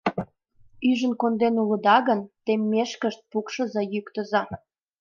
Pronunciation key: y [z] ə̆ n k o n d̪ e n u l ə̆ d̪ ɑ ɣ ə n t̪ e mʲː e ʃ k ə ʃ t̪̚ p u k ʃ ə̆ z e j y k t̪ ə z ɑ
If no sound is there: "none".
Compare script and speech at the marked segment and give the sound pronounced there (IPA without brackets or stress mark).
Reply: ʒ